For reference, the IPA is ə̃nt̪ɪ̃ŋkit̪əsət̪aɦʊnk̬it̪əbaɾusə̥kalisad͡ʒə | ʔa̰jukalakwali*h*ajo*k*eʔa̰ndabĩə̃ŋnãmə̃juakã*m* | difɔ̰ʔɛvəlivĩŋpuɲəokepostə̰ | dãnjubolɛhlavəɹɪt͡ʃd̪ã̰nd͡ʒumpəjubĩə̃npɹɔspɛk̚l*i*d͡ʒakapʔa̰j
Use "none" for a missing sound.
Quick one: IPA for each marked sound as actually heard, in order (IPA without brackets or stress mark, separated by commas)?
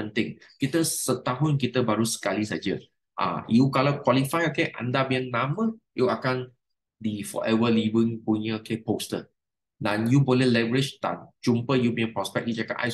f, k, n, i